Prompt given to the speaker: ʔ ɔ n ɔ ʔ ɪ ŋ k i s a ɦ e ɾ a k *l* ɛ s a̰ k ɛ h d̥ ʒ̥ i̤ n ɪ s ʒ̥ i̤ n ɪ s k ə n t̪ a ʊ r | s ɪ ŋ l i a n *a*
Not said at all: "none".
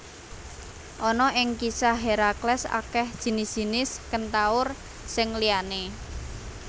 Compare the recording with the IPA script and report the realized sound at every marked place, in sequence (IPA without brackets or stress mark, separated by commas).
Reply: l, e